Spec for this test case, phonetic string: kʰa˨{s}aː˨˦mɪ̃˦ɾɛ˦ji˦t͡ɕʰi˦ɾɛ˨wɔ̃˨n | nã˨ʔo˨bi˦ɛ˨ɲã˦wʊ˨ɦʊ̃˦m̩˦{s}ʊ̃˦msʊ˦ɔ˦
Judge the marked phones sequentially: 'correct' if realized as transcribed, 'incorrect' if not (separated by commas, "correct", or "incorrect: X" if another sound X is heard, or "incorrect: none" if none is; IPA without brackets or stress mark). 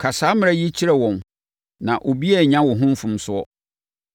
correct, incorrect: f